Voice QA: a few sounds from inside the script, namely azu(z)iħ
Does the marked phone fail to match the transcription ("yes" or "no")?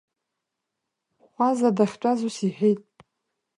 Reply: yes